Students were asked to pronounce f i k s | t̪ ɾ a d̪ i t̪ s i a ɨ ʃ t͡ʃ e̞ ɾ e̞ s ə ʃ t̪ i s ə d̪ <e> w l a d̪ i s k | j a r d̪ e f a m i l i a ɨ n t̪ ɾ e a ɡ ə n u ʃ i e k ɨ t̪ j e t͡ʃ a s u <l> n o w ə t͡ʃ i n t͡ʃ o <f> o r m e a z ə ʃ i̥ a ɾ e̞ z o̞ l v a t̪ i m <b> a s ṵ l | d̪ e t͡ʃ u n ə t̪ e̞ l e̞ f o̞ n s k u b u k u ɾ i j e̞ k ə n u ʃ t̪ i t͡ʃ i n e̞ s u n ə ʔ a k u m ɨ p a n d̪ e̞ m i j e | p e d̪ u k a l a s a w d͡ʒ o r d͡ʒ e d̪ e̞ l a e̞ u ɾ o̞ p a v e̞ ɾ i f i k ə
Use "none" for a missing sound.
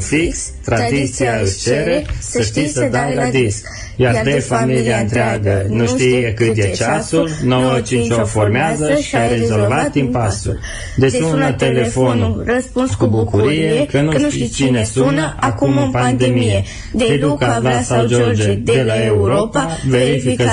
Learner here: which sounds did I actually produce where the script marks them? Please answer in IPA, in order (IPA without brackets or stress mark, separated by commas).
a, l, f, p